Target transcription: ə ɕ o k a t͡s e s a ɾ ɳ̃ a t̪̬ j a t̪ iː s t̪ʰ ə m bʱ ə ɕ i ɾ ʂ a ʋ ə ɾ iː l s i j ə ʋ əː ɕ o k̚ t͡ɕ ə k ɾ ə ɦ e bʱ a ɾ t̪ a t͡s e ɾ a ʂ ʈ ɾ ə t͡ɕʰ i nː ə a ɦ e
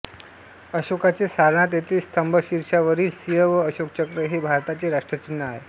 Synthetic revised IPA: ə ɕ o k a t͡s e s a ɾ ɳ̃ a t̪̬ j e t̪ iː s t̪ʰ ə m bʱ ə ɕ i ɾ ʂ a ʋ ə ɾ iː l s i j ə ʋ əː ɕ o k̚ t͡ɕ ə k ɾ ə ɦ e bʱ a ɾ t̪ a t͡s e ɾ a ʂ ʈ ɾ ə t͡ɕ i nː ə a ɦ e